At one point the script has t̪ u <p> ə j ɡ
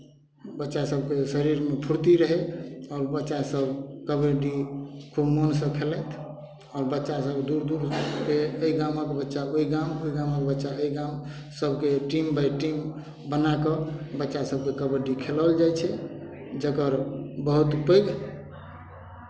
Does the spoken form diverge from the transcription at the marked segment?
no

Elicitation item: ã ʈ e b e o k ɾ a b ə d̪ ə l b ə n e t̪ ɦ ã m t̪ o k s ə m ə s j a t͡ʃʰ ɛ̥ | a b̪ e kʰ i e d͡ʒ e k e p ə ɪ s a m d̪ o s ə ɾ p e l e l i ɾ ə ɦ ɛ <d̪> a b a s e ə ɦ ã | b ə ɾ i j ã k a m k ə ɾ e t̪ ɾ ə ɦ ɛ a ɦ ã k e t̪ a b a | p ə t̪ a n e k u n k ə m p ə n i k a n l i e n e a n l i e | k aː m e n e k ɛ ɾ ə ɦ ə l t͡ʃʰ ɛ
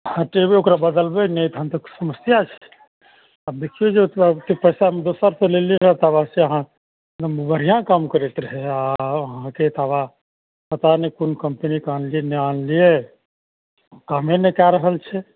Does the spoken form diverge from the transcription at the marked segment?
yes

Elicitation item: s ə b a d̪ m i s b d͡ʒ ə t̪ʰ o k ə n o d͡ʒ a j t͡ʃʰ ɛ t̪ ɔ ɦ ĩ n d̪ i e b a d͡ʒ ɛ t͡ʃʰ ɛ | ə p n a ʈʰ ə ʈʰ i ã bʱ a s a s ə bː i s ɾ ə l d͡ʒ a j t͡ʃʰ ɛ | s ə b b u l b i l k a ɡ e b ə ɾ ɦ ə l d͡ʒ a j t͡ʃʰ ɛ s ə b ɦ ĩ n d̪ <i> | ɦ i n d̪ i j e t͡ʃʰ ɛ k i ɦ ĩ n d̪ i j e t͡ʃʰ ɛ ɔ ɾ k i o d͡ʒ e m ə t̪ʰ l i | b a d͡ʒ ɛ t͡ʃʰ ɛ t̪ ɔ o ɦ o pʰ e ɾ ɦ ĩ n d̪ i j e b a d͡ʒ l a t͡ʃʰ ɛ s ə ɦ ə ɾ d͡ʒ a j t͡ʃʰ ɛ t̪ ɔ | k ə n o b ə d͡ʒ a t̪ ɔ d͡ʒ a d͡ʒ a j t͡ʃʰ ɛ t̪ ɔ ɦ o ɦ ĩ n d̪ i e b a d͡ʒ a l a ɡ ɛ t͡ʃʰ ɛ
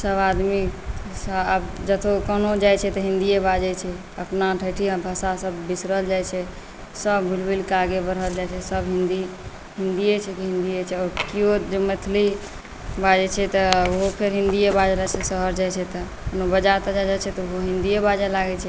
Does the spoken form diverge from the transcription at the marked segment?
no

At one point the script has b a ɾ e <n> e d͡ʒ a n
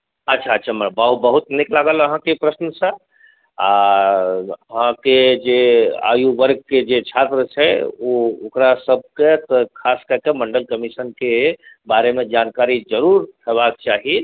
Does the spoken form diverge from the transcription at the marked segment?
yes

